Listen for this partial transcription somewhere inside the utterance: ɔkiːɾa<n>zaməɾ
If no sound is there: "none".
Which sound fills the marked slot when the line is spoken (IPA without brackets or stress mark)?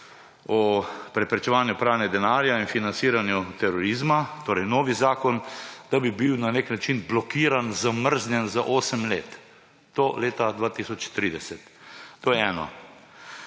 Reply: n